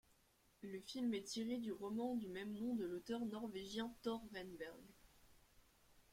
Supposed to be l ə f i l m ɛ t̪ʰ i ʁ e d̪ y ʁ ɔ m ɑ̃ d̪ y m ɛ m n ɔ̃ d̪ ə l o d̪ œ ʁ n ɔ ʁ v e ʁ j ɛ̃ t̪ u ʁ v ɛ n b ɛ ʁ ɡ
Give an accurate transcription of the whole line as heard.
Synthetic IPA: l ə f i l m ɛ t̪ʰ i ʁ e d̪ y ʁ ɔ m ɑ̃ d̪ y m ɛ m n ɔ̃ d̪ ə l o t̪ œ ʁ n ɔ ʁ v e ʒ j ɛ̃ t̪ ɔ ʁ v ɛ n b ɛ ʁ ɡ

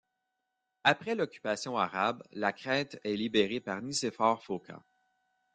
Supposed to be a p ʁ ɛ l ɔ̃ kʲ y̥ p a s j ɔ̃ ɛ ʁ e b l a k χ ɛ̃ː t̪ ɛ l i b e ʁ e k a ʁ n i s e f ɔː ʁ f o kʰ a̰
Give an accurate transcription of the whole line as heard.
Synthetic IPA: a p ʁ ɛ l ɔ kʲ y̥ p a s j ɔ̃ a ʁ a b l a k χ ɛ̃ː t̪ ɛ l i b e ʁ e p a ʁ n i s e f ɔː ʁ f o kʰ a̰

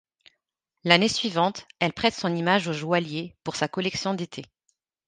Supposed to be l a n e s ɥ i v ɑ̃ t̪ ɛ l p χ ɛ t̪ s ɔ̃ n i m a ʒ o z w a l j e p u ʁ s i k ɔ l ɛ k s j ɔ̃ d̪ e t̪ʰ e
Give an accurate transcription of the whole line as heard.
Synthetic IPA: l a n e s ɥ i v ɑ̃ t̪ ɛ l p χ ɛ t̪ s ɔ̃ n i m a ʒ o ʒ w a l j e p u ʁ s a k ɔ l ɛ k s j ɔ̃ d̪ e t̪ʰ e

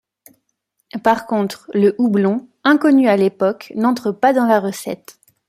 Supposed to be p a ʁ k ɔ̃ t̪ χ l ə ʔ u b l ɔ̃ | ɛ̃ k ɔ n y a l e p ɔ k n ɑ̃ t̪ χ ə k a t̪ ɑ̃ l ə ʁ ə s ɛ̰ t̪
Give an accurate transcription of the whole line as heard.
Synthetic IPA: p a ʁ k ɔ̃ t̪ χ l ə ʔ u b l ɔ̃ | ɛ̃ k ɔ n y a l e p ɔ k n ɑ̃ t̪ χ ə p a d̪ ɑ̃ l a ʁ ə s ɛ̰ t̪

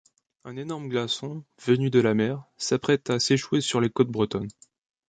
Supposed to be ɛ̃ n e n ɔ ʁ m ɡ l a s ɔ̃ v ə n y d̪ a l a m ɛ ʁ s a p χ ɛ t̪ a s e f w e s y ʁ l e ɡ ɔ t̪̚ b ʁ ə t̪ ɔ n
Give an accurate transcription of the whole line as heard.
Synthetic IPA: ɛ̃ n e n ɔ ʁ m ɡ l a s ɔ̃ v ə n y d̪ ə l a m ɛ ʁ s a p χ ɛ t̪ a s e ʃ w e s y ʁ l e k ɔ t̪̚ b ʁ ə t̪ ɔ n

